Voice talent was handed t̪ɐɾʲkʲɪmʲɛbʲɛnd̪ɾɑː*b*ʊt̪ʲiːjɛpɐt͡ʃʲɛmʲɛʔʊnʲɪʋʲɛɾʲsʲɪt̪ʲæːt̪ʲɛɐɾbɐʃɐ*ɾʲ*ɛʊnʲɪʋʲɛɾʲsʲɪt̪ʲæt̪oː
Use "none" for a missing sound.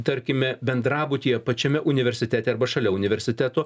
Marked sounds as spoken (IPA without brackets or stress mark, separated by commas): b, lʲ